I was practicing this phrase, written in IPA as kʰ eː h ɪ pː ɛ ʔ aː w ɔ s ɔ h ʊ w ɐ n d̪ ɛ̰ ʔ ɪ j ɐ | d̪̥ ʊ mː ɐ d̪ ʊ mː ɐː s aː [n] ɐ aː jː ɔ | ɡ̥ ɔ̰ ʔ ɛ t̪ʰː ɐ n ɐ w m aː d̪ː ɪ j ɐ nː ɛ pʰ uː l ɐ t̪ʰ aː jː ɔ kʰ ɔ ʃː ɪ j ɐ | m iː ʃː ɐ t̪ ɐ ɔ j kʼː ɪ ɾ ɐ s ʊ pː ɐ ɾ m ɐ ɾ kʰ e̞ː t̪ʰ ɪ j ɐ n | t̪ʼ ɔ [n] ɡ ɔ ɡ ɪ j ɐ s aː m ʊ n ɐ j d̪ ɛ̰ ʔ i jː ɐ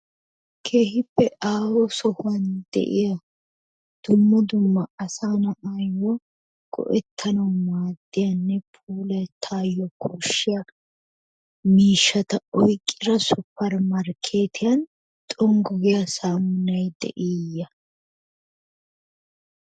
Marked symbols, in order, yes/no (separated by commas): yes, no